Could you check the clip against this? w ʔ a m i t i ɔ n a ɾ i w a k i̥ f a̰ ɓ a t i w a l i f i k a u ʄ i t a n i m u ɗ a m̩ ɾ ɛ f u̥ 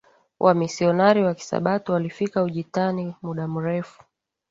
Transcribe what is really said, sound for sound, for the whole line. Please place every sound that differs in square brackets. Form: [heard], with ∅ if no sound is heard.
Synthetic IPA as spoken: w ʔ a m i [s] i ɔ n a ɾ i w a k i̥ [s] a̰ ɓ a t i w a l i f i k a u ʄ i t a n i m u ɗ a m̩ ɾ ɛ f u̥